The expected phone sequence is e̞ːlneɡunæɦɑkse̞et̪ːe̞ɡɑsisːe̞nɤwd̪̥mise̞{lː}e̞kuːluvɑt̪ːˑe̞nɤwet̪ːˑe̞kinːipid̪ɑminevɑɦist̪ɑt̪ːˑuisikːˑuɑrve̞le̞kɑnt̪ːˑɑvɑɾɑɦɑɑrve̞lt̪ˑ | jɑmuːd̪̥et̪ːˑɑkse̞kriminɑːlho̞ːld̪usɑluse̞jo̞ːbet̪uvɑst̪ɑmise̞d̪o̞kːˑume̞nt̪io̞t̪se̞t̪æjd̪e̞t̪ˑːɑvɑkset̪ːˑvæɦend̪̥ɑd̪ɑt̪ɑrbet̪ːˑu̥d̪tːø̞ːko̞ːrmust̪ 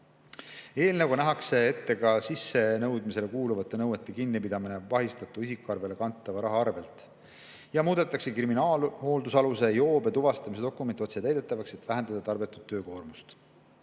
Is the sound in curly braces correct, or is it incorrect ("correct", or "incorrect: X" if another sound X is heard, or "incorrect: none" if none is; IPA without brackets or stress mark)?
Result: incorrect: l